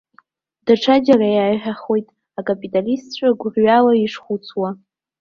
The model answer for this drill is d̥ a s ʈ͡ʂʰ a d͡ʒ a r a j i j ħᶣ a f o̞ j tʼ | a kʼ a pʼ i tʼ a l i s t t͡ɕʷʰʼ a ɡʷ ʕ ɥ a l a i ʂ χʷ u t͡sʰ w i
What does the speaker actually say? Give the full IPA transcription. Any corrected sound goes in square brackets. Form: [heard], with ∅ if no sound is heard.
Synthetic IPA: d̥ a [∅] ʈ͡ʂʰ a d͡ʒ a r a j [a] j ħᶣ a [χ] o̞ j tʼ | a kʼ a pʼ i tʼ a l i s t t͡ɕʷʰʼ a ɡʷ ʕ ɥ a l a i ʂ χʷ u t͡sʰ w [a]